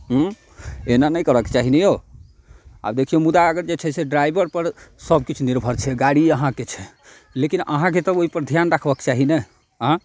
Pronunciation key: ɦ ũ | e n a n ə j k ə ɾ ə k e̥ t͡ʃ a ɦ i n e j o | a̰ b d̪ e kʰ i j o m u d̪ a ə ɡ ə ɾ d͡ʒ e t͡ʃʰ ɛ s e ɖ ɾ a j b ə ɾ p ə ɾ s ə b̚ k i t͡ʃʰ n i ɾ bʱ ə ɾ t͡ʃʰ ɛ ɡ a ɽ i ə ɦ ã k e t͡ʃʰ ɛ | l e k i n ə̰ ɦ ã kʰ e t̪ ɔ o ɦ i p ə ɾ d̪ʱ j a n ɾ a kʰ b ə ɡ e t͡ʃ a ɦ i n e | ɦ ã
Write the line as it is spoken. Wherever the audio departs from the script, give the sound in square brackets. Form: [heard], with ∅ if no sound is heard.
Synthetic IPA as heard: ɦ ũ | e n a n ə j k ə ɾ ə k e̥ t͡ʃ a ɦ i n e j o | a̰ b d̪ e kʰ i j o m u d̪ a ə ɡ ə ɾ d͡ʒ e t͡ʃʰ ɛ s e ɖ ɾ a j b ə ɾ p ə ɾ s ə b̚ k i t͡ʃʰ n i ɾ bʱ ə ɾ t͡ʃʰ ɛ ɡ a ɽ i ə ɦ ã k e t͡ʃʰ ɛ | l e k i n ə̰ ɦ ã [k] e t̪ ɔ o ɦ i p ə ɾ d̪ʱ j a n ɾ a kʰ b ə [k] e t͡ʃ a ɦ i n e | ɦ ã